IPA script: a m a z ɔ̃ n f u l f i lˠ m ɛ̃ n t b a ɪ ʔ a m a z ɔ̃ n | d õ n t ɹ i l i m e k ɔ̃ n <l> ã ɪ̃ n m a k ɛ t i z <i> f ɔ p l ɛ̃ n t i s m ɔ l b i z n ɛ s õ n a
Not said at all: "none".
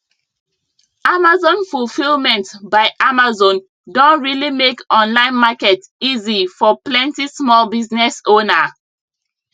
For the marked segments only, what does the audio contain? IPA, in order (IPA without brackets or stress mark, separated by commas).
l, i